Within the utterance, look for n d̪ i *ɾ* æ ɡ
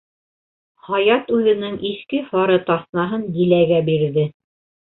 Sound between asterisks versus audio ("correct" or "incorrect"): incorrect